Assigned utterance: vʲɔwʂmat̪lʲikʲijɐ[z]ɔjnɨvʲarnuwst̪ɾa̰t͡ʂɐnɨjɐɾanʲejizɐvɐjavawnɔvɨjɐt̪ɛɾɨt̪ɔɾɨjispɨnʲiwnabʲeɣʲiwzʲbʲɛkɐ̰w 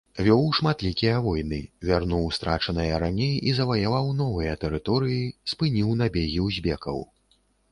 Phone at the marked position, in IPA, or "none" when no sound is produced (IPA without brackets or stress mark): v